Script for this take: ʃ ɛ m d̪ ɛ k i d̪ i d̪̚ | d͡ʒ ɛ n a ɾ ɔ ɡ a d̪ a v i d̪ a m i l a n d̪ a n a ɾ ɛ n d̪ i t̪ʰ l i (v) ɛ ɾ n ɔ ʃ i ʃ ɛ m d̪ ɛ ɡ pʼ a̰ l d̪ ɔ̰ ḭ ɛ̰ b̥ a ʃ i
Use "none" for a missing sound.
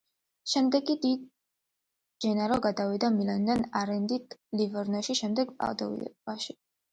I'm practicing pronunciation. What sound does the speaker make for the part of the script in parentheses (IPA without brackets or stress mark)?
v